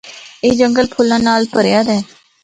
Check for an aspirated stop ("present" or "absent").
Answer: present